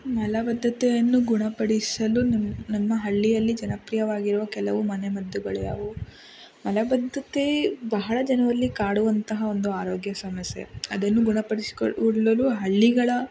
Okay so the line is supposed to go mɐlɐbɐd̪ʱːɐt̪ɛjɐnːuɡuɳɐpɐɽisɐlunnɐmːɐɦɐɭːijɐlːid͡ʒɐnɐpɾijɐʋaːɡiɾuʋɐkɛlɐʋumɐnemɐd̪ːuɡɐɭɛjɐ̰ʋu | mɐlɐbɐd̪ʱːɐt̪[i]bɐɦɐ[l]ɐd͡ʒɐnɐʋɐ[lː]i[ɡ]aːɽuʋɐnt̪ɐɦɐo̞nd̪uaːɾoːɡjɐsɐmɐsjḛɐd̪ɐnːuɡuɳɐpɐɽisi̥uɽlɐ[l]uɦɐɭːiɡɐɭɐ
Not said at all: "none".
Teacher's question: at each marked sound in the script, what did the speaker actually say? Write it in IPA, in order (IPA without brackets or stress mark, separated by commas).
e, ɭ, lː, k, l